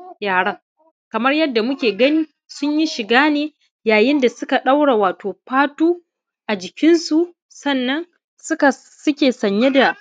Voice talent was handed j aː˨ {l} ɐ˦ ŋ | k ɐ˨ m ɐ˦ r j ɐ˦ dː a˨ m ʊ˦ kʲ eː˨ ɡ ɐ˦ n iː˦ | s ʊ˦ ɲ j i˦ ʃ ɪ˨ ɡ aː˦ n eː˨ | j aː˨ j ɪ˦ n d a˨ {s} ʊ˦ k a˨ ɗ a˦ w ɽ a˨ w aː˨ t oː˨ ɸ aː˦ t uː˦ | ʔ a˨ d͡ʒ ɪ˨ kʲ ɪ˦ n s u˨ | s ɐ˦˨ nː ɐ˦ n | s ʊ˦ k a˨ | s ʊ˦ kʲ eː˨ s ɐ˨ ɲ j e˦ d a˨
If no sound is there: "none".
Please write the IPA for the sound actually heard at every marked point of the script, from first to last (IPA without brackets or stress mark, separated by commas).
ɽ, s